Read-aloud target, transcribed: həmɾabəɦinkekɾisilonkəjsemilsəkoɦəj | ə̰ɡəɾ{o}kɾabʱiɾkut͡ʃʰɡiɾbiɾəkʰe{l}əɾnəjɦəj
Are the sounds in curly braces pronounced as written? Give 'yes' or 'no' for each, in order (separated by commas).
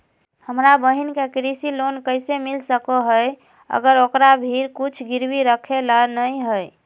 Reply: yes, yes